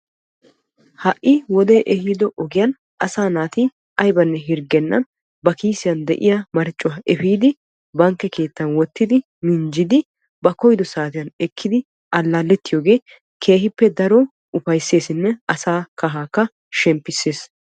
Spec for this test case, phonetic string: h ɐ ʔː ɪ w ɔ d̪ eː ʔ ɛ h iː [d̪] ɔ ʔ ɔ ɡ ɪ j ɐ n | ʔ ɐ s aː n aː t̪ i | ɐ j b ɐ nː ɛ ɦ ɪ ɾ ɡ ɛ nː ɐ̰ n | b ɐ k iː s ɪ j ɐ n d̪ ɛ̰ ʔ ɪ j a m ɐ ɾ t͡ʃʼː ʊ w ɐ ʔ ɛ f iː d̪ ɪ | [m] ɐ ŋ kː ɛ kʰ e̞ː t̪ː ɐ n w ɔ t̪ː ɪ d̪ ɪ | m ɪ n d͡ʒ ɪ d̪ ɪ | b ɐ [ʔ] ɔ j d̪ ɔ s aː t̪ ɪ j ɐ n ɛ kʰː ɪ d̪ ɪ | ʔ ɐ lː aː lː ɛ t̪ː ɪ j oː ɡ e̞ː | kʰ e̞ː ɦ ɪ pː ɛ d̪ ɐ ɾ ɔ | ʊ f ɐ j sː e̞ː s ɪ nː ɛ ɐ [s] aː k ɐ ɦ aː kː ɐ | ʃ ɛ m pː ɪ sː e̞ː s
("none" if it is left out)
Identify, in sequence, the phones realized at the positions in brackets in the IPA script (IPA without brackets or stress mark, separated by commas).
d̪, b, k, s